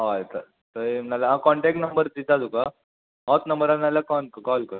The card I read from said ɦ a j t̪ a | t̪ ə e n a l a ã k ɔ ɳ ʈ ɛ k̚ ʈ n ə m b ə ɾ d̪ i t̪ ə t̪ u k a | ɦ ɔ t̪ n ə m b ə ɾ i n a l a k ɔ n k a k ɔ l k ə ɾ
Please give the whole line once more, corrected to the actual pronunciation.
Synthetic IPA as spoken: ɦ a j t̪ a | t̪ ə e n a l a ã k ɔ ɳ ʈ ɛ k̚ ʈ n ə m b ə ɾ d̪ i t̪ a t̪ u k a | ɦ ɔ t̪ n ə m b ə ɾ a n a l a k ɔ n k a k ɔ l k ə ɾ